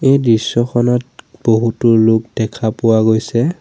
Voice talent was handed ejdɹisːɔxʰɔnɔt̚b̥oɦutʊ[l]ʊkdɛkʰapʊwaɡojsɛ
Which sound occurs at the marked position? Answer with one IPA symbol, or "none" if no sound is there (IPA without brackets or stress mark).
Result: l